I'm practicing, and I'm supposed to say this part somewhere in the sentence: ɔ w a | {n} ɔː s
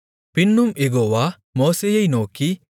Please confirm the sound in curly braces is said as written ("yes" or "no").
no